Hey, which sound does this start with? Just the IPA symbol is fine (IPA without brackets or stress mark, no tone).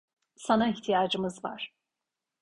s